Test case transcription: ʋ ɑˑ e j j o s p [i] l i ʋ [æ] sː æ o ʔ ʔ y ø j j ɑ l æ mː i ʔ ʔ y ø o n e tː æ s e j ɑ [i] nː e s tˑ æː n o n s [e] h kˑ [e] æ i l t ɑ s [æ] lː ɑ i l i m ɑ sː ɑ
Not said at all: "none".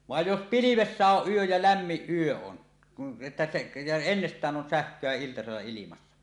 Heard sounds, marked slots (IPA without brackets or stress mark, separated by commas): i, e, e, æ, ø, e